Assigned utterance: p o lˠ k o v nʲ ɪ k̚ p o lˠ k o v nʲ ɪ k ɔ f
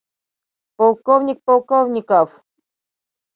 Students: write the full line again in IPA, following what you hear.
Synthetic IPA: p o lˠ k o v nʲ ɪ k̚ p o lˠ k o v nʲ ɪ k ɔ f